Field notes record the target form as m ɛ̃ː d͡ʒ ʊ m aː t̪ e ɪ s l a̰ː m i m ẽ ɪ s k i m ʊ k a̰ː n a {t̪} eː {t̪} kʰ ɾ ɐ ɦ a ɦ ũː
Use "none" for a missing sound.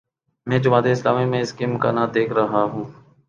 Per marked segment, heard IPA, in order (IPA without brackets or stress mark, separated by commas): d̪, none